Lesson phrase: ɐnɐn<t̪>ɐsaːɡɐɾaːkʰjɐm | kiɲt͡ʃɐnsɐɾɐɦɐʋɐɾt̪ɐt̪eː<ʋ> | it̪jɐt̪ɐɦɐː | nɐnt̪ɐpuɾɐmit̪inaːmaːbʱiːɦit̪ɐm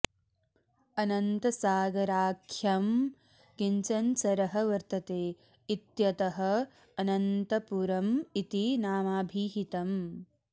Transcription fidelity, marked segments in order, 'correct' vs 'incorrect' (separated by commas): correct, incorrect